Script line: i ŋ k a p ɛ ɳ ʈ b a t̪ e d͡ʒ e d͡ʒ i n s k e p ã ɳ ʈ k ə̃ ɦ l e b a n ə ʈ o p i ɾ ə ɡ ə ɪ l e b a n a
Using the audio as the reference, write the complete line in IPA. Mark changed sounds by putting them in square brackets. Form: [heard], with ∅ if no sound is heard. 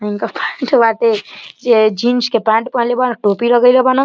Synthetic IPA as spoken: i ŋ k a p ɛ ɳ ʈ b a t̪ e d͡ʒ e d͡ʒ i n s k e p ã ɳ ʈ [p] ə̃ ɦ l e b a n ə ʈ o p i ɾ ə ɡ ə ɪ l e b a n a